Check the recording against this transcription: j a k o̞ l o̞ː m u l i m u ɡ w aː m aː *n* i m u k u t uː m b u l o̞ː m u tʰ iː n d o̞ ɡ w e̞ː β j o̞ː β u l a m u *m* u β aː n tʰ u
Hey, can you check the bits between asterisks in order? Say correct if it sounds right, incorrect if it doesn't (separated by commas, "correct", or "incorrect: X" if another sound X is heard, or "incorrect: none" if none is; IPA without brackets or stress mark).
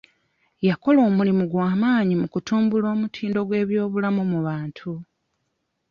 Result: incorrect: ɲ, correct